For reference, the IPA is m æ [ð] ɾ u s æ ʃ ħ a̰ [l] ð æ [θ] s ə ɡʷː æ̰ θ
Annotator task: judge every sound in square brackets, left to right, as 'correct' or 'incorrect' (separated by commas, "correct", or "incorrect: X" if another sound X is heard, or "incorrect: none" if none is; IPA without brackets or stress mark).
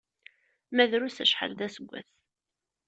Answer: correct, correct, incorrect: none